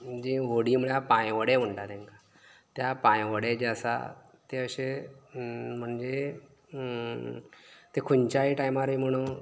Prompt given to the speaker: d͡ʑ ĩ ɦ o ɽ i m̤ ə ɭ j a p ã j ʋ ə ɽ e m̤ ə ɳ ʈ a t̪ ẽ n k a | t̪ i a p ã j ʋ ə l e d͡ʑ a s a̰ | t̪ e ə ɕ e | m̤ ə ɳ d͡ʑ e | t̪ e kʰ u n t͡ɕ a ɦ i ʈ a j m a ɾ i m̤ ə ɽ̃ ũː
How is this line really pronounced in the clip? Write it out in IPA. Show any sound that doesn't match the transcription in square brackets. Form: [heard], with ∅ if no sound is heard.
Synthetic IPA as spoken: d͡ʑ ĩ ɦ o ɽ i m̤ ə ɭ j a p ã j ʋ ə ɽ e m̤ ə ɳ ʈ a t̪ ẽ [ŋ] k a | t̪ [j] a p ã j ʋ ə [ɽ] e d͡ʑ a s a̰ | t̪ e ə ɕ e | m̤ ə ɳ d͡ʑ e | t̪ e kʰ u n t͡ɕ a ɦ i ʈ a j m a ɾ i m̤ ə ɽ̃ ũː

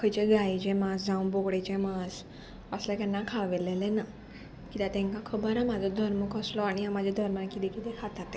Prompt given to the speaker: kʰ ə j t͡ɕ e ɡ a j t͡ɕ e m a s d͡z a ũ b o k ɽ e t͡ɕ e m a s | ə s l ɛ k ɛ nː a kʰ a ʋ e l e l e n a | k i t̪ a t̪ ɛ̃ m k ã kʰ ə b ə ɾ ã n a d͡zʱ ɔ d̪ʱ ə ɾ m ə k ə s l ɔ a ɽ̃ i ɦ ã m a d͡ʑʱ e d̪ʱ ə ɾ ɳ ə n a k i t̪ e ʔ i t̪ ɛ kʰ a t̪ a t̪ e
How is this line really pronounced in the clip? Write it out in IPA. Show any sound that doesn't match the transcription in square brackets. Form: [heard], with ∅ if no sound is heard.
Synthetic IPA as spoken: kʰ ə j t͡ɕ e ɡ a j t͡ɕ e m a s d͡z a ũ b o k ɽ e t͡ɕ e m a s | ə s l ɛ k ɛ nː a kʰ a ʋ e l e l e n a | k i t̪ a t̪ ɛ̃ [ŋ] k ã kʰ ə b ə ɾ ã [m] a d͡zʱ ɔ d̪ʱ ə ɾ m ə k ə s l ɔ a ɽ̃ i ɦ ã m a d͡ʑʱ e d̪ʱ ə ɾ [m] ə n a k i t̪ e [k] i t̪ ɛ kʰ a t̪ a t̪ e

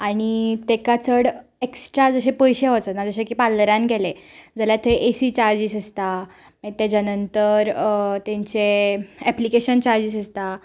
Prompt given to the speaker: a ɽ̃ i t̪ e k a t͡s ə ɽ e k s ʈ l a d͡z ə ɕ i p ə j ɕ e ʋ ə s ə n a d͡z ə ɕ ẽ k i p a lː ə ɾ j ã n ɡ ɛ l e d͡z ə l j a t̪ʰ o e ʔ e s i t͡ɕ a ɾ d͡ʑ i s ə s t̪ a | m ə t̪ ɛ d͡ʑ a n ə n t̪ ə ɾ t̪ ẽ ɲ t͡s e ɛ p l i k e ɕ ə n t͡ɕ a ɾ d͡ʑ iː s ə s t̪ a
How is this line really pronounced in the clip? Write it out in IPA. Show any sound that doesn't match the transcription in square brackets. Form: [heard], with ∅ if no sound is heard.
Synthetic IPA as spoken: a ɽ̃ i t̪ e k a t͡s ə ɽ e k s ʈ [ɾ] a d͡z ə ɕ [e] p ə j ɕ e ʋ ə [t͡s] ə n a d͡z ə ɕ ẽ k i p a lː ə ɾ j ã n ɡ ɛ l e d͡z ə l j a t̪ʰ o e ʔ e s i t͡ɕ a ɾ d͡ʑ i s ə s t̪ a | m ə t̪ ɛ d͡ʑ a n ə n t̪ ə ɾ t̪ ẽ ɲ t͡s e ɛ p l i k e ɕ ə n t͡ɕ a ɾ d͡ʑ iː s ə s t̪ a

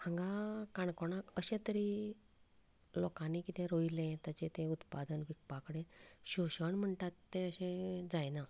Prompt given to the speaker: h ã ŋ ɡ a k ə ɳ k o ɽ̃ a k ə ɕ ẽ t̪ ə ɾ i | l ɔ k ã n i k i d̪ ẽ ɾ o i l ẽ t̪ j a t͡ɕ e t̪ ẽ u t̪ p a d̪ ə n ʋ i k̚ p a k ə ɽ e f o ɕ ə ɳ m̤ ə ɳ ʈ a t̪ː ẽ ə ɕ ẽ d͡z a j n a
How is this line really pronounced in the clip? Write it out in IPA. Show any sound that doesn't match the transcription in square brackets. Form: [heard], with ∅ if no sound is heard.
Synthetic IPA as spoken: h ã ŋ ɡ a k [a] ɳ k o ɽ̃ a k ə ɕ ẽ t̪ ə ɾ i | l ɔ k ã n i k i [t̪] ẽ ɾ o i l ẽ t̪ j a t͡ɕ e t̪ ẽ u t̪ p a d̪ ə n ʋ i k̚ p a k ə ɽ e [ɕ] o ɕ ə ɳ m̤ ə ɳ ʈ a t̪ː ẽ ə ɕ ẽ d͡z a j n a

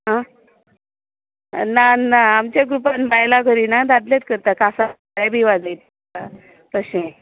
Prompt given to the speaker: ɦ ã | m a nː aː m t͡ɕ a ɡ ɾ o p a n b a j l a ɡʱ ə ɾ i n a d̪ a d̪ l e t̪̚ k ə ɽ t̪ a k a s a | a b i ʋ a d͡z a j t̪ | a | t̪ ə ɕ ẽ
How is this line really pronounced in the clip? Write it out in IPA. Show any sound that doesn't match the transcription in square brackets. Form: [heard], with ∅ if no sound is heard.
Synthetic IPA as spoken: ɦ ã | [n] a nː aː m t͡ɕ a ɡ ɾ [u] p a n b a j l a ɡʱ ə ɾ i n a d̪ a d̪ l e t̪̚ k ə [ɾ] t̪ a k a s a | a b i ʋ a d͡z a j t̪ | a | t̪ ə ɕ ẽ

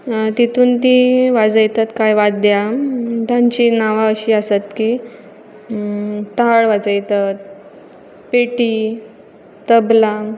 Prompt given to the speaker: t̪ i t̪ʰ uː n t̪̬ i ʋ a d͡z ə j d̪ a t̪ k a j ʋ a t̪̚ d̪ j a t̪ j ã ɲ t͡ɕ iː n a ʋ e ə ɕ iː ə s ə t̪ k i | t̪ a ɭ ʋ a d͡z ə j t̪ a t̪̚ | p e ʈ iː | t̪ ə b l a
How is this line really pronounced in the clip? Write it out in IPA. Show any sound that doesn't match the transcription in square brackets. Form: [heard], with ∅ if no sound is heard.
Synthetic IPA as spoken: t̪ i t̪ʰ uː n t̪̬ i ʋ a d͡z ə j [t̪] a t̪ k a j ʋ a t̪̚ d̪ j a t̪ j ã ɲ t͡ɕ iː n a ʋ [a] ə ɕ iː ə s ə t̪ k i | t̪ a ɭ ʋ a d͡z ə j t̪ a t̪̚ | p e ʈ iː | t̪ ə b l a

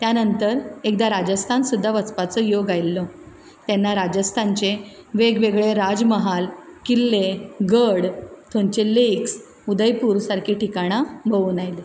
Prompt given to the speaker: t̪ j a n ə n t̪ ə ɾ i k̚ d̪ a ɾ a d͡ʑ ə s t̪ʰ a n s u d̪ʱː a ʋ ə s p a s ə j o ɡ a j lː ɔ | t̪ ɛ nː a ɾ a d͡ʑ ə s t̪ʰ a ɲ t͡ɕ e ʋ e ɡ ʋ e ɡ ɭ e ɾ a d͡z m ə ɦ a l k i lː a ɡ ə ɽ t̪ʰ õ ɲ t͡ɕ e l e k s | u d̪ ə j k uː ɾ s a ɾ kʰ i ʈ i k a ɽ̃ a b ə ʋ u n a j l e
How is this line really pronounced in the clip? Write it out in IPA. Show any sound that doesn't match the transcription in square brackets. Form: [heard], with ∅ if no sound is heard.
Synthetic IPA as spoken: t̪ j a n ə n t̪ ə ɾ [e] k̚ d̪ a ɾ a d͡ʑ ə s t̪ʰ a n s u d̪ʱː a ʋ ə [t͡s] p a [t͡s] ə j o ɡ a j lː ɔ | t̪ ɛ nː a ɾ a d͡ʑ ə s t̪ʰ a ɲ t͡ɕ e ʋ e ɡ ʋ e ɡ ɭ e ɾ a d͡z m ə ɦ a l k i lː [e] ɡ ə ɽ t̪ʰ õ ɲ t͡ɕ e l e k s | u d̪ ə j [p] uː ɾ s a ɾ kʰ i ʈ i k a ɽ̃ a b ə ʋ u n a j l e

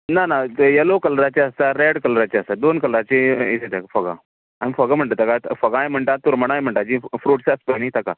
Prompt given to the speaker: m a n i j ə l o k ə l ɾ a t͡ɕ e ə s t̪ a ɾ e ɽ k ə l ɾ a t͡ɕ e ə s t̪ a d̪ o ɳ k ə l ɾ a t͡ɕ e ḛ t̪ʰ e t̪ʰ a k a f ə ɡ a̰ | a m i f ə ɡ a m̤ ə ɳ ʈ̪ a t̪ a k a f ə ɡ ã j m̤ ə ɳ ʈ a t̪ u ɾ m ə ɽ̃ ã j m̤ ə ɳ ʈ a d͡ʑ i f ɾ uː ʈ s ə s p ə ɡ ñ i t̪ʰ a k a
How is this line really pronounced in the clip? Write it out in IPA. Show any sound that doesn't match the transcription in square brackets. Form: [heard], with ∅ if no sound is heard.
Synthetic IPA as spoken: [n] a n [a] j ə l o k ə l ɾ a t͡ɕ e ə s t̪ a ɾ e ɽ k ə l ɾ a t͡ɕ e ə s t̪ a d̪ o [n] k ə l ɾ a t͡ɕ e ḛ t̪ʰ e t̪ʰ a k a f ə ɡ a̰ | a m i f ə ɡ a m̤ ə ɳ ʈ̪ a t̪ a k a f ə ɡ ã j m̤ ə ɳ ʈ a t̪ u ɾ m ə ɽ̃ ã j m̤ ə ɳ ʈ a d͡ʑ i f ɾ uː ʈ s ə s p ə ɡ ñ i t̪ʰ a k a

